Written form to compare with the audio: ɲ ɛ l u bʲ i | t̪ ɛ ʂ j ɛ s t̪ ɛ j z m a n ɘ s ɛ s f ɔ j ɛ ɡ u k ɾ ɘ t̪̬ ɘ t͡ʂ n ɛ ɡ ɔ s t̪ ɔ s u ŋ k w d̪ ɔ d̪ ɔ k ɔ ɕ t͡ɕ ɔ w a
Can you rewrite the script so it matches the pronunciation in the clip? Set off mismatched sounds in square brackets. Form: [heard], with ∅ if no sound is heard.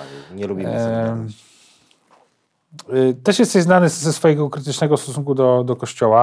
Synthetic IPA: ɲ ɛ l u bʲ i | t̪ ɛ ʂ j ɛ s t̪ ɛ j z [n] a n ɘ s ɛ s f ɔ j ɛ ɡ [ɔ] k ɾ ɘ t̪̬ ɘ t͡ʂ n ɛ ɡ ɔ s t̪ ɔ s u ŋ k [u] d̪ ɔ d̪ ɔ k ɔ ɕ t͡ɕ ɔ w a